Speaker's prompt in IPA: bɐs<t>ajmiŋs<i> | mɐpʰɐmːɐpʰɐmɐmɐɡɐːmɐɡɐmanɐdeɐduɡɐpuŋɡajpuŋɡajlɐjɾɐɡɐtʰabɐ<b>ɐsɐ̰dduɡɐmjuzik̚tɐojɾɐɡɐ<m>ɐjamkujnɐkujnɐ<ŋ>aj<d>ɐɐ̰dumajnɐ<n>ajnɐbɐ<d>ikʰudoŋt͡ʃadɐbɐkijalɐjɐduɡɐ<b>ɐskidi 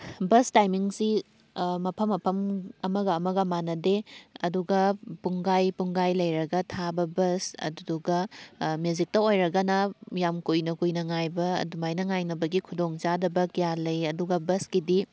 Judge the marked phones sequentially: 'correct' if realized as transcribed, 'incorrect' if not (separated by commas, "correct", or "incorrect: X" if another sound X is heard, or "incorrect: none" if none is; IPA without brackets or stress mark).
correct, correct, correct, incorrect: n, correct, incorrect: b, incorrect: ŋ, incorrect: ɡ, correct